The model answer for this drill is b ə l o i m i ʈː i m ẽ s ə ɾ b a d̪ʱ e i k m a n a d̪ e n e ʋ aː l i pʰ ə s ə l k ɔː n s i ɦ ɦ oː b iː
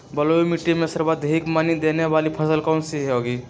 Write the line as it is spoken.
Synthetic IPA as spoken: b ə l o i m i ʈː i m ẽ s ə ɾ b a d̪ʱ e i k m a n i d̪ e n e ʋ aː l i pʰ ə s ə l k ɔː n s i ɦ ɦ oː ɡ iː